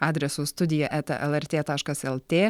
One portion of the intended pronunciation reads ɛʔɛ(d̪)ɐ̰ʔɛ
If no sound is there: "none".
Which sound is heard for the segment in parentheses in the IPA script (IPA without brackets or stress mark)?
t̪